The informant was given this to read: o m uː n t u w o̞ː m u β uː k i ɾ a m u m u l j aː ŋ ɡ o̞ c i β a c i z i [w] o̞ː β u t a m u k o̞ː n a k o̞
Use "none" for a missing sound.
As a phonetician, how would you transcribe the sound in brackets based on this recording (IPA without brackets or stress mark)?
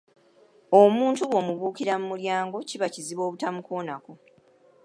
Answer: β